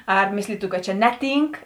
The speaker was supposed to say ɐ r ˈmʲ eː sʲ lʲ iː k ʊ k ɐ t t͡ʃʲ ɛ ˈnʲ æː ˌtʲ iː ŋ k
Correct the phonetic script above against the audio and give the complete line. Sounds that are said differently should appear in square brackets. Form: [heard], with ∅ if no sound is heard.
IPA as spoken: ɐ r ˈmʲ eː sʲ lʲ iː [t] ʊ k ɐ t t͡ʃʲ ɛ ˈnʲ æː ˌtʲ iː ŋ k